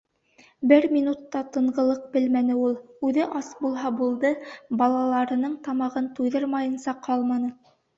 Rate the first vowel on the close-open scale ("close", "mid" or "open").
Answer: mid